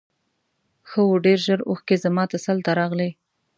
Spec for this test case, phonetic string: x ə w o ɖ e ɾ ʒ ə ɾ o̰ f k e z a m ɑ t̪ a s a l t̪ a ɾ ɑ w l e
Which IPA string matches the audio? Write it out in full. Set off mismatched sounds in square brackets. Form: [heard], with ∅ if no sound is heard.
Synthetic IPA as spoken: x ə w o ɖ e ɾ ʒ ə ɾ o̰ [x] k e z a m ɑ t̪ a s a l t̪ a ɾ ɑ [ɣ] l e